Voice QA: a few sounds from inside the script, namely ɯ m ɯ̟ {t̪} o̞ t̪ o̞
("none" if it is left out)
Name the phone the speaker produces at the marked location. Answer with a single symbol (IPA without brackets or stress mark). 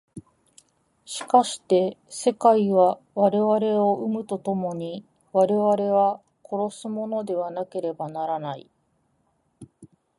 t̪